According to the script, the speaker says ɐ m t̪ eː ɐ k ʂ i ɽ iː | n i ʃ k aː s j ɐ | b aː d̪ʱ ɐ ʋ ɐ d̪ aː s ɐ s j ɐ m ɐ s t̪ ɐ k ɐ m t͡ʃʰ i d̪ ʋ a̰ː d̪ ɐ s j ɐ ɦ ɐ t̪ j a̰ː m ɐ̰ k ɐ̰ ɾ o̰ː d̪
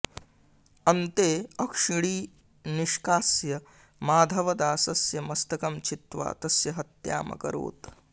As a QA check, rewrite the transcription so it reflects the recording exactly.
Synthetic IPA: ɐ n t̪ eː ɐ k ʂ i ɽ iː | n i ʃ k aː s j ɐ | m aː d̪ʱ ɐ ʋ ɐ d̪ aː s ɐ s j ɐ m ɐ s t̪ ɐ k ɐ m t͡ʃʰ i t̪ ʋ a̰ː t̪ ɐ s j ɐ ɦ ɐ t̪ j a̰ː m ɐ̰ k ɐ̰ ɾ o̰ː t̪